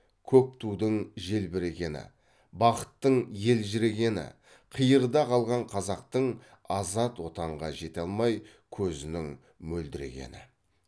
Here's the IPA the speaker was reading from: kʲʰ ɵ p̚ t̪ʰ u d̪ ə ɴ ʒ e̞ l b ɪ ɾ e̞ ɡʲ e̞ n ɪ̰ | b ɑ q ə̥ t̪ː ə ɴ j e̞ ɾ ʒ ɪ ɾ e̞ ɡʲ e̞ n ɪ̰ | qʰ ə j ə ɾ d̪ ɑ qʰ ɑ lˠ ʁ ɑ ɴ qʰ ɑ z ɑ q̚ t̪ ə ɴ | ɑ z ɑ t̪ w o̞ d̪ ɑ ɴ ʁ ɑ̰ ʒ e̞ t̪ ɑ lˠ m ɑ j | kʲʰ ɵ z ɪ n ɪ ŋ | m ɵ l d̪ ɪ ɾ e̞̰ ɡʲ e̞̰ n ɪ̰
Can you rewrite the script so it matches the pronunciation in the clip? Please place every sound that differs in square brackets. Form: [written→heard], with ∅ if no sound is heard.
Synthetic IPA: kʲʰ ɵ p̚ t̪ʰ u d̪ ə ɴ ʒ e̞ l b ɪ ɾ e̞ ɡʲ e̞ n ɪ̰ | b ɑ q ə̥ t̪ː ə ɴ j e̞ [ɾ→l] ʒ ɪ ɾ e̞ ɡʲ e̞ n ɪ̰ | qʰ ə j ə ɾ d̪ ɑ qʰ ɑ lˠ ʁ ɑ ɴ qʰ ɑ z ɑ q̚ t̪ ə ɴ | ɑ z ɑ t̪ w o̞ [d̪→t̪] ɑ ɴ ʁ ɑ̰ ʒ e̞ t̪ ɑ lˠ m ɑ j | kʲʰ ɵ z ɪ n ɪ ŋ | m ɵ l d̪ ɪ ɾ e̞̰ ɡʲ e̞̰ n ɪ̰